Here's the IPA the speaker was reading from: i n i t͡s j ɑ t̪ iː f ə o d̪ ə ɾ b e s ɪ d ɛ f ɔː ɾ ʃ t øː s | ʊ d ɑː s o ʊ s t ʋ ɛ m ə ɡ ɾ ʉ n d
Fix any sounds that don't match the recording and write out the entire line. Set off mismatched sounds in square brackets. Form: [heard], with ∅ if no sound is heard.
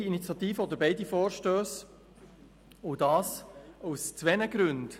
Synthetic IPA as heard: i n i t͡s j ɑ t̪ iː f ə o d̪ ə ɾ b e [∅] ɪ d [i] f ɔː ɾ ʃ t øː s | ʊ d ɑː s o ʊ s [t͡s] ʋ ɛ [n] ə ɡ ɾ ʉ n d